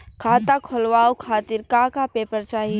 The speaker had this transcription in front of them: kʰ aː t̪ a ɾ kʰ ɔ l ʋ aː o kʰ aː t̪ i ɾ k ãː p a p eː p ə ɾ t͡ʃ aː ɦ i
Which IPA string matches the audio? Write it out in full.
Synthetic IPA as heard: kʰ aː t̪ a kʰ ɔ l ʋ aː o kʰ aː t̪ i ɾ k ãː k a p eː p ə ɾ t͡ʃ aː ɦ i